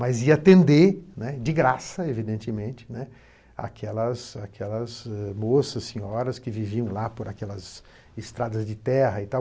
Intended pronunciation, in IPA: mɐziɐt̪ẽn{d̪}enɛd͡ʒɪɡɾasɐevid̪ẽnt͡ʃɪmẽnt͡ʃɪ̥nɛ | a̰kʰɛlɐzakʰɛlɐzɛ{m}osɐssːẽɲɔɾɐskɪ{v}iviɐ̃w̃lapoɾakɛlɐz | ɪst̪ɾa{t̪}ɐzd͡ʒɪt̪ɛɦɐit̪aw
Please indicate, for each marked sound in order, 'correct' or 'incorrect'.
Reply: correct, correct, correct, incorrect: d̪

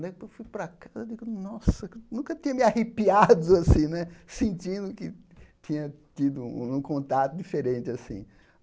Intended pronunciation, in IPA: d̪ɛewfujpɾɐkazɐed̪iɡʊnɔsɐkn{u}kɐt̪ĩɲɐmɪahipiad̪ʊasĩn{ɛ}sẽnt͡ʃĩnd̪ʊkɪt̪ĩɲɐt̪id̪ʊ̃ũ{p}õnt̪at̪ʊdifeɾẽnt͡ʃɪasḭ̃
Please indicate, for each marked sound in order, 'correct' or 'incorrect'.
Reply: incorrect: ũ, correct, incorrect: k

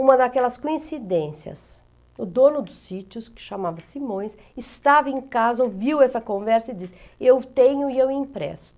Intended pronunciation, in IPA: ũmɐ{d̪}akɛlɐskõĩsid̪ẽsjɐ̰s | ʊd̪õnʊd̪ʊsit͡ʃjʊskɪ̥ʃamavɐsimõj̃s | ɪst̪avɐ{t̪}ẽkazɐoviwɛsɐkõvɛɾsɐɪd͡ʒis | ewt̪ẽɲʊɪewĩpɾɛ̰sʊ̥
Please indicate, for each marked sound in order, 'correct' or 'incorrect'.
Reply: correct, incorrect: none

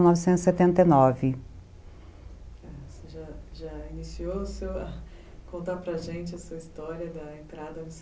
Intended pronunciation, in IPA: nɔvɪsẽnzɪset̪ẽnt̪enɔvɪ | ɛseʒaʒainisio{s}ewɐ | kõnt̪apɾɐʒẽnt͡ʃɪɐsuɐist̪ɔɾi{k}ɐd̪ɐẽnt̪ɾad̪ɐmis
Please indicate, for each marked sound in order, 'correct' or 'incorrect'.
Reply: correct, incorrect: none

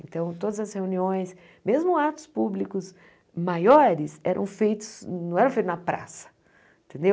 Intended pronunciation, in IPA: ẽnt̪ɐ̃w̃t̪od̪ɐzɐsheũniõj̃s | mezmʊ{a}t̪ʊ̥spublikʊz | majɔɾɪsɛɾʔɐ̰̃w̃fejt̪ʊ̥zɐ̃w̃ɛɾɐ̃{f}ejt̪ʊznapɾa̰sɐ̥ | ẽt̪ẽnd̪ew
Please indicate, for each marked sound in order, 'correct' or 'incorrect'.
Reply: correct, correct

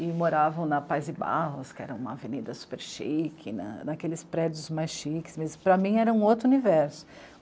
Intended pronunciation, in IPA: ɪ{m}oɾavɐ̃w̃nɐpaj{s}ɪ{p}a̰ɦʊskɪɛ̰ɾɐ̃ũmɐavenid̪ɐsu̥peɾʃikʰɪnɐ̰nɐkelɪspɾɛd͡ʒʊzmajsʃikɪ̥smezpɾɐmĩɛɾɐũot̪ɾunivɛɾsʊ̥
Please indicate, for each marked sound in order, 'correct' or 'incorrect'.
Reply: correct, incorrect: z, incorrect: b

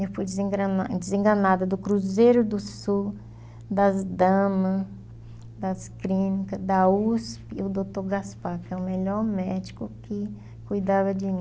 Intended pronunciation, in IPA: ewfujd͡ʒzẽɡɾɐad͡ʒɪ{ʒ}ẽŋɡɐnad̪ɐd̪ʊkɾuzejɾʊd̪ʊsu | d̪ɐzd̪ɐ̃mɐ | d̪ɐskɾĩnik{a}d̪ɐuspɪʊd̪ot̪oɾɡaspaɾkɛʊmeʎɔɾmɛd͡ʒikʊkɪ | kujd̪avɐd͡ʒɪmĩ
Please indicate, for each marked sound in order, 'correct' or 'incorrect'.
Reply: incorrect: z, incorrect: ɐ

